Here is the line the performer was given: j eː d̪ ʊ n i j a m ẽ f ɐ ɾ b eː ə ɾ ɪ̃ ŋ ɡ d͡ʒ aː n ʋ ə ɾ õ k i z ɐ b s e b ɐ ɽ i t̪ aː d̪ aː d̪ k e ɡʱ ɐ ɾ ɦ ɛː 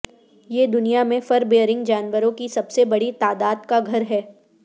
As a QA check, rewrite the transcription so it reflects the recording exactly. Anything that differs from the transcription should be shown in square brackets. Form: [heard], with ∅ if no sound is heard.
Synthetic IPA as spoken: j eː d̪ ʊ n i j a m ẽ f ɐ ɾ b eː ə ɾ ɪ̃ ŋ ɡ d͡ʒ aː n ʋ ə ɾ õ k i [s] ɐ b s e b ɐ ɽ i t̪ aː d̪ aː d̪ k [a] ɡʱ ɐ ɾ ɦ ɛː